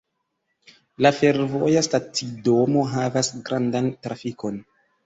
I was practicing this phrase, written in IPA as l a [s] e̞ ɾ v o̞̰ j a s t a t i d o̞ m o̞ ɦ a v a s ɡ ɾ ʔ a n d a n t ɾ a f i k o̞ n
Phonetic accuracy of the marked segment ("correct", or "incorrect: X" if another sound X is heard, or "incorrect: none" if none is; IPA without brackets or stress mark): incorrect: f